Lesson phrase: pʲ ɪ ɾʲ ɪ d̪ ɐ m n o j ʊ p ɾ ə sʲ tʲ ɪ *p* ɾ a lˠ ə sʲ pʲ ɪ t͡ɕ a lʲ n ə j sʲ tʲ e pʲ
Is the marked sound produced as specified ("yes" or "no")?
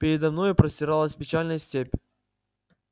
no